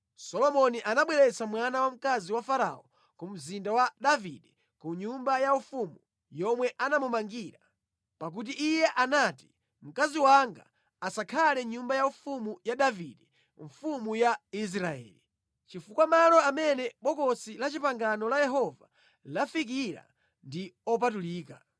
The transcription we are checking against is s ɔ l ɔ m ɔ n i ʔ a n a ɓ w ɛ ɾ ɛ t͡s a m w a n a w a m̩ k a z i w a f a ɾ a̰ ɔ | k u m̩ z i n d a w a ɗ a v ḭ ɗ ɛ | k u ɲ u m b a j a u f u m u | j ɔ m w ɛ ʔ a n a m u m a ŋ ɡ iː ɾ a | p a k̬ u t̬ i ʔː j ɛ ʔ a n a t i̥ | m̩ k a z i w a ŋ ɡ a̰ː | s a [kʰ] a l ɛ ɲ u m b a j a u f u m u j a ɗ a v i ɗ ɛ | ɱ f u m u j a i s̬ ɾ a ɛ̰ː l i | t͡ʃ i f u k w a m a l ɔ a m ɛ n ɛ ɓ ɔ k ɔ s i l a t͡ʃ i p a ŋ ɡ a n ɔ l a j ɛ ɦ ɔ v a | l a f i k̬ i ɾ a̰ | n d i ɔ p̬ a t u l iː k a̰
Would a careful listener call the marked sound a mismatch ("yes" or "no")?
no